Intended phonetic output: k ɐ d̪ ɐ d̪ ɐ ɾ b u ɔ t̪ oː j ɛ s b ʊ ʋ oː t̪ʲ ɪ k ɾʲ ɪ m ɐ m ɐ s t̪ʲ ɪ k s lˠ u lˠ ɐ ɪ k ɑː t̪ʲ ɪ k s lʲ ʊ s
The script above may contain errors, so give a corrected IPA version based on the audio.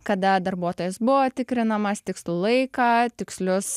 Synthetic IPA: k ɐ d̪ ɐ d̪ ɐ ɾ b u ɔ t̪ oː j ɛ s b ʊ ʋ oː t̪ʲ ɪ k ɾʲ ɪ n ɐ m ɐ s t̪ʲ ɪ k s lˠ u lˠ ɐ ɪ k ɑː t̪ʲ ɪ k s lʲ ʊ s